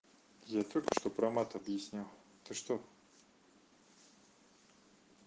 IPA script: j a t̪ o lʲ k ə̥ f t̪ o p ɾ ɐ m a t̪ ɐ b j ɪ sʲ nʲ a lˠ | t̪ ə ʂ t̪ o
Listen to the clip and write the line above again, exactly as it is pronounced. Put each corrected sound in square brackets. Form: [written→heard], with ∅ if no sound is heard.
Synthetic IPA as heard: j a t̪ o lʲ k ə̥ [f→ʂ] t̪ o p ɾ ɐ m a t̪ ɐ b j ɪ sʲ nʲ a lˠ | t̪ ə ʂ t̪ o

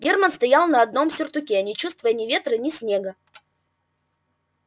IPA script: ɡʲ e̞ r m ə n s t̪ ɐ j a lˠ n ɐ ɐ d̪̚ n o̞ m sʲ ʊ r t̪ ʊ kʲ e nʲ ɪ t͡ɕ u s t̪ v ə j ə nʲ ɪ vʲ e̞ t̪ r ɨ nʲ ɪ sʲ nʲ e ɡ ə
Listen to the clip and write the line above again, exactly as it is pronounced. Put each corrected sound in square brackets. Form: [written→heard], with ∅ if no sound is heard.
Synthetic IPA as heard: ɡʲ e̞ r m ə n s t̪ ɐ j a lˠ n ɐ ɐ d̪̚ n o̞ m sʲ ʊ r t̪ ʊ kʲ e nʲ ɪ t͡ɕ u s t̪ v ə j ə nʲ ɪ vʲ e̞ t̪ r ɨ nʲ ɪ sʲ nʲ e ɡ ə

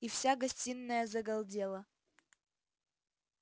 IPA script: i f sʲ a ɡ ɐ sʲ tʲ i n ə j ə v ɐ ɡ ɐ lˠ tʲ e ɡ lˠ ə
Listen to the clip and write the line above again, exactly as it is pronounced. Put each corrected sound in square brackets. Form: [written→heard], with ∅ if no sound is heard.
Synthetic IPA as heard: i f sʲ a ɡ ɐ sʲ tʲ i [n→nː] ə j ə [v→z] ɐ ɡ ɐ lˠ [tʲ→dʲ] e [ɡ→∅] lˠ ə

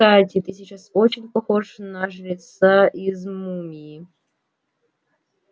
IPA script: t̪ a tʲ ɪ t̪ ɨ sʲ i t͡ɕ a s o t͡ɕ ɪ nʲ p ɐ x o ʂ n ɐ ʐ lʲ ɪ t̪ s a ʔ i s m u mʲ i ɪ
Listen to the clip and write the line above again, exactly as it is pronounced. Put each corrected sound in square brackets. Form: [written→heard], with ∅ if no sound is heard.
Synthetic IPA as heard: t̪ a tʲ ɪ t̪ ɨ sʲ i t͡ɕ a s o t͡ɕ ɪ nʲ p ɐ x o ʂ n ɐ ʐ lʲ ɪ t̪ s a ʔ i [s→z] m u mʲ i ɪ

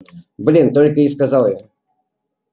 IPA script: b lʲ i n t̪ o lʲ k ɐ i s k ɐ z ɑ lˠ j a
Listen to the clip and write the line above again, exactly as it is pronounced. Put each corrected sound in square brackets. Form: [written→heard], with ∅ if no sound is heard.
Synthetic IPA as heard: b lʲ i n t̪ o lʲ k [ɐ→ə] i s k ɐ z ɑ lˠ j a

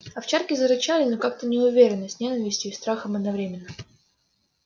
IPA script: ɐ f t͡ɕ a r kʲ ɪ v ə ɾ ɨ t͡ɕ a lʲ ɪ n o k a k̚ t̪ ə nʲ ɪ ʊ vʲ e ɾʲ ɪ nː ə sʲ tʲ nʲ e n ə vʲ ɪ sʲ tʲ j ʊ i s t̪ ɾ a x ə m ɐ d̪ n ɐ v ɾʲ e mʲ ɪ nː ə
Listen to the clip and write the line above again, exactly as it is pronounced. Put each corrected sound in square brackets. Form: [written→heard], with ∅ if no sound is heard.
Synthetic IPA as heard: ɐ f t͡ɕ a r kʲ ɪ [v→z] ə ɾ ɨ t͡ɕ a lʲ ɪ n o k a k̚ t̪ ə nʲ ɪ ʊ vʲ e ɾʲ ɪ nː ə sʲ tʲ nʲ e n ə vʲ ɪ sʲ tʲ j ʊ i s t̪ ɾ a x ə m ɐ d̪ n ɐ v ɾʲ e mʲ ɪ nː ə

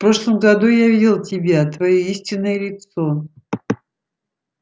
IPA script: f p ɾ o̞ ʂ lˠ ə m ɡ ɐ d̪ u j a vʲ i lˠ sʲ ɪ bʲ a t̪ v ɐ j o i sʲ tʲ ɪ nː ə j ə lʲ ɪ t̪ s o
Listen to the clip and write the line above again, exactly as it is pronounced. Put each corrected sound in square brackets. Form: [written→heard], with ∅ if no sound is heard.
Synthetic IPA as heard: f p ɾ o̞ ʂ lˠ ə m ɡ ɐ d̪ u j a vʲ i lˠ [sʲ→tʲ] ɪ bʲ a t̪ v ɐ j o i sʲ tʲ ɪ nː ə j ə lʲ ɪ t̪ s o

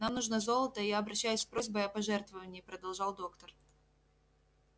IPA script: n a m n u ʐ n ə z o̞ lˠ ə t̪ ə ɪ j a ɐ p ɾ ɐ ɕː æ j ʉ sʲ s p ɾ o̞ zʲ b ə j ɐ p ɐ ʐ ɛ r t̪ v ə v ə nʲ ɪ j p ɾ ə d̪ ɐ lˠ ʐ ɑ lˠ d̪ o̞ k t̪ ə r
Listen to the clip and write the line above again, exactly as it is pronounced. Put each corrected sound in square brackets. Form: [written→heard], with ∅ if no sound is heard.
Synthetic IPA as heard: n a m n u ʐ n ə z o̞ lˠ ə t̪ ə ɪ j a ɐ [p→b] ɾ ɐ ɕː æ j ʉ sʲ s p ɾ o̞ zʲ b ə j ɐ p ɐ ʐ ɛ r t̪ v ə v ə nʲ ɪ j p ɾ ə d̪ ɐ lˠ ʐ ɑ lˠ d̪ o̞ k t̪ ə r

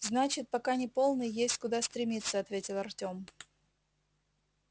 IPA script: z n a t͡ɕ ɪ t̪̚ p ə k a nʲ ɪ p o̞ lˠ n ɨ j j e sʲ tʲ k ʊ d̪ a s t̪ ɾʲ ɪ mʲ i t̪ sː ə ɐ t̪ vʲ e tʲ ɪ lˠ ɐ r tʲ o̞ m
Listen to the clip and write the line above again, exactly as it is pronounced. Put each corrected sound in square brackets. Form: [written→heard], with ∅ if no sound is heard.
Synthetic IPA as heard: z n a t͡ɕ ɪ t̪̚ p [ə→ɐ] k a nʲ ɪ p o̞ lˠ n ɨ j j e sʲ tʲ k ʊ d̪ a s t̪ ɾʲ ɪ mʲ i t̪ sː ə ɐ t̪ vʲ e tʲ ɪ lˠ ɐ r tʲ o̞ m

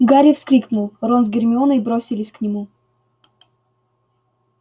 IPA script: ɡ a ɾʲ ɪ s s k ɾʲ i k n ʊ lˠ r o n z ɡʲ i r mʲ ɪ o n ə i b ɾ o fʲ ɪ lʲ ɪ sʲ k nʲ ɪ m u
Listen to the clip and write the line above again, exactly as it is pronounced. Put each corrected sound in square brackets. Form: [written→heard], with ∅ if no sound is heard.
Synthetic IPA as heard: ɡ a ɾʲ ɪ [s→f] s k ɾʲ i k n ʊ lˠ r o n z ɡʲ [i→ɪ] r mʲ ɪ o n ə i b ɾ o [fʲ→sʲ] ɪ lʲ ɪ sʲ k nʲ ɪ m u

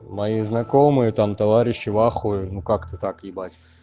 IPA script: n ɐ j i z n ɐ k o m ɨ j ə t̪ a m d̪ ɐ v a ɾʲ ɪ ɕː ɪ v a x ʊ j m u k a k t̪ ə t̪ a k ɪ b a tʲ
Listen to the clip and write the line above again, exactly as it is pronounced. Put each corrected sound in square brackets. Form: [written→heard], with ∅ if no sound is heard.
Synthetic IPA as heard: [n→m] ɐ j i z n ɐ k o m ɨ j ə t̪ a m [d̪→t̪] ɐ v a ɾʲ ɪ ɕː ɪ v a x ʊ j [m→n] u k a k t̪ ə t̪ a k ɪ b a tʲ

